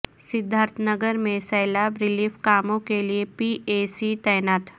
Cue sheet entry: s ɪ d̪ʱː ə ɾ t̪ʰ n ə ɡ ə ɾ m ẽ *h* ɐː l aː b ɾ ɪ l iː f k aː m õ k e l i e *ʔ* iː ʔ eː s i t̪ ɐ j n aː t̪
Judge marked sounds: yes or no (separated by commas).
no, no